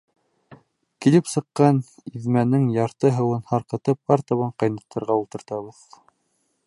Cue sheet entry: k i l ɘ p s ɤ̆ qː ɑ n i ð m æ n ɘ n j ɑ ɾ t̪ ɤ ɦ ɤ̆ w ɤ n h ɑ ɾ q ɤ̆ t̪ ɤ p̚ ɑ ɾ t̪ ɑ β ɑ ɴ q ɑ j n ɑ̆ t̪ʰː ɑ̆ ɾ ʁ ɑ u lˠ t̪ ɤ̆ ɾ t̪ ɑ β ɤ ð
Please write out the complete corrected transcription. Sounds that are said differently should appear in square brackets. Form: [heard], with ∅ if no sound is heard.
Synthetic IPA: k i l ɘ p s ɤ̆ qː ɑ n i ð m æ n ɘ [ŋ] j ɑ ɾ t̪ ɤ ɦ ɤ̆ w ɤ n h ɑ ɾ q ɤ̆ t̪ ɤ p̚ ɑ ɾ t̪ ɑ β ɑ ɴ q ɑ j n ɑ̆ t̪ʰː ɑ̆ ɾ ʁ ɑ u lˠ t̪ ɤ̆ ɾ t̪ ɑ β ɤ ð